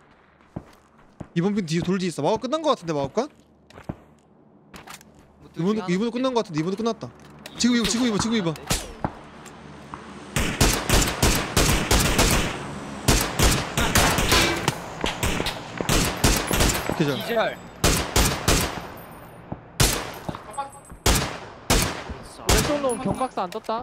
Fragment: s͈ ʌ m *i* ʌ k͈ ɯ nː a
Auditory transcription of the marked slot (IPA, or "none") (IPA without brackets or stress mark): a